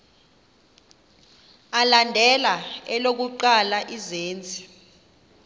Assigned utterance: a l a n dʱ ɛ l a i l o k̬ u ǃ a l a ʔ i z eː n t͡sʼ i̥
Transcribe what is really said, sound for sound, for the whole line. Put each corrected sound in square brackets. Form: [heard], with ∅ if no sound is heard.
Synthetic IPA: a l a n dʱ ɛ l a [ɛ] l o k̬ u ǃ a l a ʔ i z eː n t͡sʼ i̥

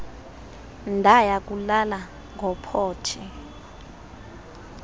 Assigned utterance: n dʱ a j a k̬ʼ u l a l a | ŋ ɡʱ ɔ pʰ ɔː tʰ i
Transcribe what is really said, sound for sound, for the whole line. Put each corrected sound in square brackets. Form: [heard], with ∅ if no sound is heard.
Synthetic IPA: n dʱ a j a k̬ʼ u l a l a | ŋ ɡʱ ɔ pʰ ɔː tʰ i

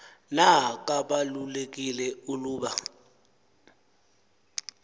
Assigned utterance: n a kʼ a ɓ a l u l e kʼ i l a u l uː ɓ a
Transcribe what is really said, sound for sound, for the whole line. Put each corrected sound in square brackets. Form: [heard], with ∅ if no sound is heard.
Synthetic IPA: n a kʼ a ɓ a l u l e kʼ i l [ɛ] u l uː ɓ a

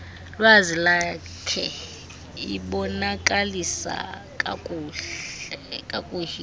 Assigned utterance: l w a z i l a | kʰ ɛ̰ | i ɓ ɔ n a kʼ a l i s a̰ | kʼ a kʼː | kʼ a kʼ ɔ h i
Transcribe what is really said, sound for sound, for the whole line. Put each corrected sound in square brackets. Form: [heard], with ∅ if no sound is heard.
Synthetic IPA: l w a z i l a | kʰ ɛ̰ | i ɓ ɔ n a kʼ a l i s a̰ | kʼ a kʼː | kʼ a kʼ [u] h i

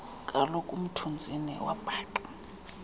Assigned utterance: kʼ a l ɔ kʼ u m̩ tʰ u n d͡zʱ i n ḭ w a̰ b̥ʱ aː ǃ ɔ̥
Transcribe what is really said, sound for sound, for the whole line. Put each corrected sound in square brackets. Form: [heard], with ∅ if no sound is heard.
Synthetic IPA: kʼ a l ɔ kʼ u m̩ tʰ u n d͡zʱ i n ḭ w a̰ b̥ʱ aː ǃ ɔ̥

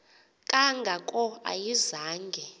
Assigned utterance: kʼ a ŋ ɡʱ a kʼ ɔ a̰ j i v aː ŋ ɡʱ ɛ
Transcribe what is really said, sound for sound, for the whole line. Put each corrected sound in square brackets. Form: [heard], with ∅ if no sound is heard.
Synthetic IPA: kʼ a ŋ ɡʱ a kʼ ɔ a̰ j i [z] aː ŋ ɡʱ ɛ

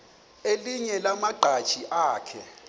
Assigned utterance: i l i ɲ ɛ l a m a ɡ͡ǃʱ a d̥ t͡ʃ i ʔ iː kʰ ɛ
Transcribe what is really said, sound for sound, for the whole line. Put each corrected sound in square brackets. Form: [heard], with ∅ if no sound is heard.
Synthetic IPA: [e] l i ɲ ɛ l a m a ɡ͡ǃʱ a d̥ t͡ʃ i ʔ [aː] kʰ ɛ

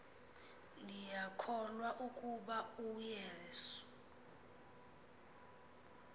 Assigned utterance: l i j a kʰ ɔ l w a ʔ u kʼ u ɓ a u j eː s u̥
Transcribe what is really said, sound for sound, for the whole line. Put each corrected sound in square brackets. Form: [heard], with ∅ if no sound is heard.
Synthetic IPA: l i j a kʰ ɔ l w a ʔ u kʼ u ɓ a u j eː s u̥

